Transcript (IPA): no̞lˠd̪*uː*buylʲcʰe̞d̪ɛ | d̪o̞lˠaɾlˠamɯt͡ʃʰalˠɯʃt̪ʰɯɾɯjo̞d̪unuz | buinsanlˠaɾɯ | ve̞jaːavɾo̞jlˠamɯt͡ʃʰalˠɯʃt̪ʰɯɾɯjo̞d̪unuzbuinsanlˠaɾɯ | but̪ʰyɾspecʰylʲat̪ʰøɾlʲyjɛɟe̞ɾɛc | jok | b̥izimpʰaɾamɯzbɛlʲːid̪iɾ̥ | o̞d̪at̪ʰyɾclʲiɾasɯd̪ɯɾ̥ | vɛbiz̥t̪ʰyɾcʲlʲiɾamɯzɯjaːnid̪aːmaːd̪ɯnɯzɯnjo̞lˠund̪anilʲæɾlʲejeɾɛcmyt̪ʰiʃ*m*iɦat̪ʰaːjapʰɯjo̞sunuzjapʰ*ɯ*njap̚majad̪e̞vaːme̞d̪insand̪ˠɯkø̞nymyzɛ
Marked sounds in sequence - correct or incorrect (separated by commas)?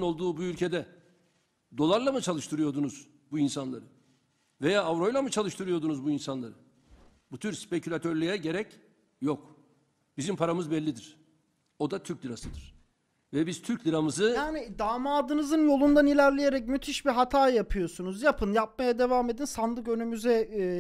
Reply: correct, incorrect, correct